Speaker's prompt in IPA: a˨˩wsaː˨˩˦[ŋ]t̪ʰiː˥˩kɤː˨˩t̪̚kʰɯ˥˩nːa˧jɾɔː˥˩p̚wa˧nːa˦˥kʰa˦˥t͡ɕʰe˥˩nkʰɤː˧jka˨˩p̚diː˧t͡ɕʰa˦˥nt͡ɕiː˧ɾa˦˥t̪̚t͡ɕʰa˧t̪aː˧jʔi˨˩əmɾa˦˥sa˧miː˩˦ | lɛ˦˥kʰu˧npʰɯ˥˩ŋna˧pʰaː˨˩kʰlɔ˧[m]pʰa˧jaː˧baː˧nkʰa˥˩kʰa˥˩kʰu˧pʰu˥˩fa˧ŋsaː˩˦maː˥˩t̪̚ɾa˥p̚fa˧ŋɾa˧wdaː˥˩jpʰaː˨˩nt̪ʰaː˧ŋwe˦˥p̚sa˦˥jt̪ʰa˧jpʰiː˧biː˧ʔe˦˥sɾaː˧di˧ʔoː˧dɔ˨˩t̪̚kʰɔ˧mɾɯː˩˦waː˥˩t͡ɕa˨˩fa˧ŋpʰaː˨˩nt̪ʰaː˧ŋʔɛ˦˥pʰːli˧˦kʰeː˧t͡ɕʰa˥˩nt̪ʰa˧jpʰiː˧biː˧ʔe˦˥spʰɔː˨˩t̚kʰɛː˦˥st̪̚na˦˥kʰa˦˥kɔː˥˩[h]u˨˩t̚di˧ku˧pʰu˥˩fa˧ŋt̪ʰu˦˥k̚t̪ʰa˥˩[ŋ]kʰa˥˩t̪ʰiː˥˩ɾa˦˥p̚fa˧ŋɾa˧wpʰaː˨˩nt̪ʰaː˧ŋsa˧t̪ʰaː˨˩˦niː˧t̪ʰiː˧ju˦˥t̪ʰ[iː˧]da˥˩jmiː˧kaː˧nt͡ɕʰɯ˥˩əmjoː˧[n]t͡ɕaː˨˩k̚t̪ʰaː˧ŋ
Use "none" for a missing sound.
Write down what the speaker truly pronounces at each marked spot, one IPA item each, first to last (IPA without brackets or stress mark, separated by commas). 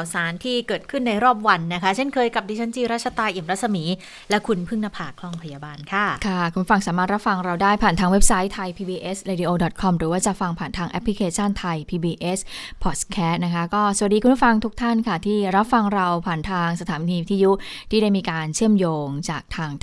n, ŋ, s, n, iː˥˩, ŋ